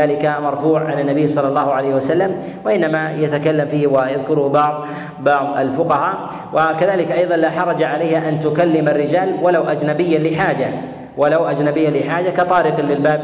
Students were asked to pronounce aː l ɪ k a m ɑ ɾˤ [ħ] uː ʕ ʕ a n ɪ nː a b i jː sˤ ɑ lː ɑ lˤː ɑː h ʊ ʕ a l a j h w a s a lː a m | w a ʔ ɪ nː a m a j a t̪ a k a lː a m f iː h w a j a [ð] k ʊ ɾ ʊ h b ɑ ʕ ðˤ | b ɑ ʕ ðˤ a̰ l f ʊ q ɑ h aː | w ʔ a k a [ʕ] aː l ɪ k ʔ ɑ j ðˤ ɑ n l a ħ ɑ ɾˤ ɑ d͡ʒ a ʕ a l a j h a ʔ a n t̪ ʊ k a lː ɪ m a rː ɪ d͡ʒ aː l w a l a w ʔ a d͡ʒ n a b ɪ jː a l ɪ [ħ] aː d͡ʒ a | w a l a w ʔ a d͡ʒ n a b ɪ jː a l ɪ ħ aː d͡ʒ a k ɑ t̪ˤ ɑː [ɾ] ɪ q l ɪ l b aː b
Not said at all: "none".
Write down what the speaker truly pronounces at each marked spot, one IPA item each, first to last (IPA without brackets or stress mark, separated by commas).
f, ð, ð, ħ, ɾ